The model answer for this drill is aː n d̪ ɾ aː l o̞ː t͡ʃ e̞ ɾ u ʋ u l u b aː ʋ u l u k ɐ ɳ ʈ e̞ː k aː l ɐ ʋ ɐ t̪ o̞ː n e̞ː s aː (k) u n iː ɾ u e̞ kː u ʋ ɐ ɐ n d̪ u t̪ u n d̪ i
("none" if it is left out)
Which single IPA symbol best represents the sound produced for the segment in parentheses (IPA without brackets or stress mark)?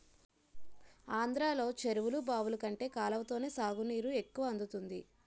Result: ɡ